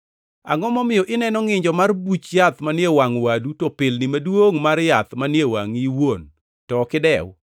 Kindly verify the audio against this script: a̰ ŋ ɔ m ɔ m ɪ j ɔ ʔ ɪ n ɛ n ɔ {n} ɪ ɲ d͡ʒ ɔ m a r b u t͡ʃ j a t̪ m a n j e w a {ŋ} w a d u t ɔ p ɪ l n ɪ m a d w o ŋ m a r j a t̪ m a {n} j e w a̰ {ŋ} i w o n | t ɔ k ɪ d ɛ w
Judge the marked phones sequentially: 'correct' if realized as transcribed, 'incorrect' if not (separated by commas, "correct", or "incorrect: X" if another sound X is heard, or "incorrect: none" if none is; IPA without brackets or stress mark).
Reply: incorrect: ŋ, correct, correct, correct